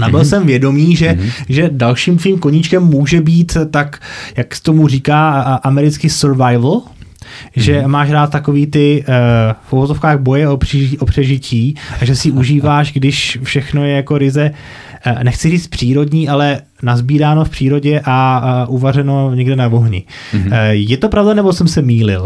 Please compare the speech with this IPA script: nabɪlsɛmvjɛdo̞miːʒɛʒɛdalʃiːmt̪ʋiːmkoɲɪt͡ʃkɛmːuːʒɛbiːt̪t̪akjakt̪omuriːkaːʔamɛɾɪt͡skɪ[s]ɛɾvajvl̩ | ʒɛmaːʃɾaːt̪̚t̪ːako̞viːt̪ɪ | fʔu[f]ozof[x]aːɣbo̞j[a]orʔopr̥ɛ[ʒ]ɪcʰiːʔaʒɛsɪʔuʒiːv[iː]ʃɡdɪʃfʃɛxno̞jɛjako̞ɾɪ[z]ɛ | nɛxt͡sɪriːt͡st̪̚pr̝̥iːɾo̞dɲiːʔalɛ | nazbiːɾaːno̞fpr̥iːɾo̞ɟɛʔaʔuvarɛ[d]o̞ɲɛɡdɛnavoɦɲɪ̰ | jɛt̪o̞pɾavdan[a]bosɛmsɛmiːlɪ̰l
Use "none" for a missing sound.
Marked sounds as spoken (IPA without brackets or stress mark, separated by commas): s, v, k, ɛ, ʒ, aː, z, n, ɛ